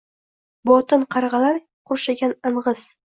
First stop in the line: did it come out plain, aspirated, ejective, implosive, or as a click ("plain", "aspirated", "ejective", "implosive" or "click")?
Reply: plain